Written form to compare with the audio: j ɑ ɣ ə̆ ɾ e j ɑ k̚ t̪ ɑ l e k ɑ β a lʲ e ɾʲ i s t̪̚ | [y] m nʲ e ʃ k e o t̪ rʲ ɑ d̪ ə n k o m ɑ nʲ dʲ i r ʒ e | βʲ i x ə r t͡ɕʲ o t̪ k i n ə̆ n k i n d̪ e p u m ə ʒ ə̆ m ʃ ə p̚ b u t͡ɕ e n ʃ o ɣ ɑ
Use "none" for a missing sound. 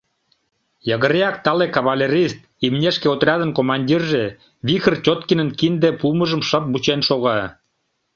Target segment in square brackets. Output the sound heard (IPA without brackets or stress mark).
i